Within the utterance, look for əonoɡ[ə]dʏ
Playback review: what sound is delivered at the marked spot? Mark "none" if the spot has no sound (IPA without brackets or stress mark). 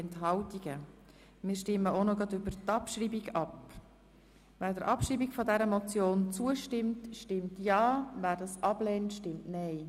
ɑ